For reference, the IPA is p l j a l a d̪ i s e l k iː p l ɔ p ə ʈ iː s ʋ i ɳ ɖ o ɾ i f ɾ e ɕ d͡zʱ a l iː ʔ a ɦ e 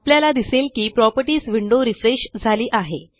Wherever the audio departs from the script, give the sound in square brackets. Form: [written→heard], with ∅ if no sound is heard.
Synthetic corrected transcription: p l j a l a d̪ i s e l k iː p [l→ɾ] ɔ p ə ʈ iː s ʋ i ɳ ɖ o ɾ i f ɾ e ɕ d͡zʱ a l iː ʔ a ɦ e